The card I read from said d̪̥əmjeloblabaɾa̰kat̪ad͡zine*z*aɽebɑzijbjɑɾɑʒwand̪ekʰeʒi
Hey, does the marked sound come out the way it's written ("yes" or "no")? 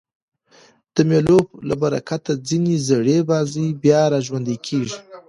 yes